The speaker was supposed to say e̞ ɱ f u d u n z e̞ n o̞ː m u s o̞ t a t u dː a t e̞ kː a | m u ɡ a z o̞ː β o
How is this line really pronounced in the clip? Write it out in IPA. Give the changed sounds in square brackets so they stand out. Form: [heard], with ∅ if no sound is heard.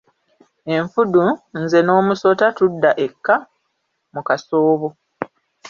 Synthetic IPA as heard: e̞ ɱ f u d u n z e̞ n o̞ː m u s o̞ t a t u dː a [ʔ] e̞ kː a | m u [k] a [s] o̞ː β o